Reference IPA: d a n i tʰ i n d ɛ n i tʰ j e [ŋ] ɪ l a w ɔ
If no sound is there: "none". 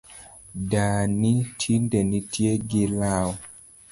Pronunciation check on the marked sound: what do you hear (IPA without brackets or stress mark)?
ɡ